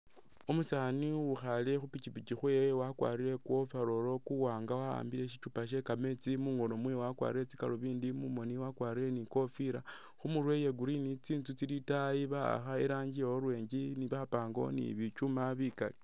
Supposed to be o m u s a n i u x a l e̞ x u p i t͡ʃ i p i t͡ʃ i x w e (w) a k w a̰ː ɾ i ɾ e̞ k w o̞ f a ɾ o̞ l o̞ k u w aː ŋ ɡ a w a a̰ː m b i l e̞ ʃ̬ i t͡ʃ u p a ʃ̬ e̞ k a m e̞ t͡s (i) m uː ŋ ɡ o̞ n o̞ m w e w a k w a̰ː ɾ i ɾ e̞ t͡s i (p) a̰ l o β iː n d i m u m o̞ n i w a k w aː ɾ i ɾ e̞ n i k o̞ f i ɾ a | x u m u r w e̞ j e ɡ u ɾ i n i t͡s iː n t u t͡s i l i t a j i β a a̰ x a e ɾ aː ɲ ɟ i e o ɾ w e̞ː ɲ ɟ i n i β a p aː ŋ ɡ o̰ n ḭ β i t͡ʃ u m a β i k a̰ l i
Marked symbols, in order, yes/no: yes, yes, no

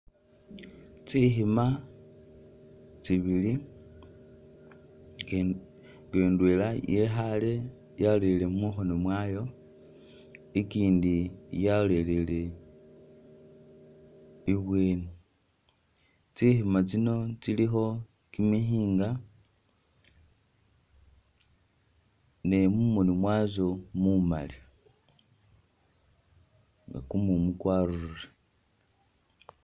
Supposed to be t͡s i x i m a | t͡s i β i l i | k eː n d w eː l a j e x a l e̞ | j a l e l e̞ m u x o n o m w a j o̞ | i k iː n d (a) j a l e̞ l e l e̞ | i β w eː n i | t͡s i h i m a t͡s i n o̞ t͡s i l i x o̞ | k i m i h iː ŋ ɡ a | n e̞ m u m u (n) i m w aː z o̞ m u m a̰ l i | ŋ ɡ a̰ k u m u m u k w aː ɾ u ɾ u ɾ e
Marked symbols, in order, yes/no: no, yes

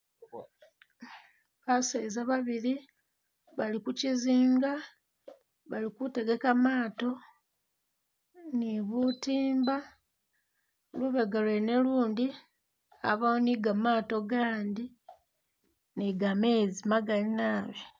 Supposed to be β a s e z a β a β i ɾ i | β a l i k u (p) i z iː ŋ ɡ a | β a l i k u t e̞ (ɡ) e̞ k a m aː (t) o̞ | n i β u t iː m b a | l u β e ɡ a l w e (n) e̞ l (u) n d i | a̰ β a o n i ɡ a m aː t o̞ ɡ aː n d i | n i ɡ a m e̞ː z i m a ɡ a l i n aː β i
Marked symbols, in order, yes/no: no, yes, yes, yes, no

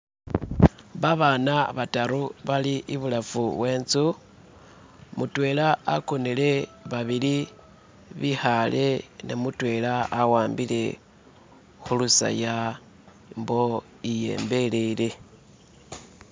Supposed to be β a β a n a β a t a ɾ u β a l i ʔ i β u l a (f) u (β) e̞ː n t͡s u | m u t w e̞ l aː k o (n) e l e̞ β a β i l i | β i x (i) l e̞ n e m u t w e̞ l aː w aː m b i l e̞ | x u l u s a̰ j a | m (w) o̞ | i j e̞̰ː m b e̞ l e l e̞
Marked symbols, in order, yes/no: yes, no, yes, no, no

